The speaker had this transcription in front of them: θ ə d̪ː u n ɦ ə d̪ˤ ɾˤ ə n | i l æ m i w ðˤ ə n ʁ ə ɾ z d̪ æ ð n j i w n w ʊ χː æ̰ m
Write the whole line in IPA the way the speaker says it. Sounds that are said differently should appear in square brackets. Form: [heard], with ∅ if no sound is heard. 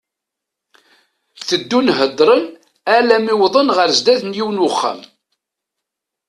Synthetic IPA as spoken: θ ə d̪ː u n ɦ ə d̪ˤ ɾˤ ə n | [æ] l æ m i w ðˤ ə n ʁ ə ɾ z d̪ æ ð n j i w n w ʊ χː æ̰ m